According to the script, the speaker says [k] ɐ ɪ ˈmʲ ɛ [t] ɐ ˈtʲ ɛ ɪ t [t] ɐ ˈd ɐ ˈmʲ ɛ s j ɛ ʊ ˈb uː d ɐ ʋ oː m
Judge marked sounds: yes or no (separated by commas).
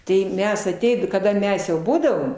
no, no, no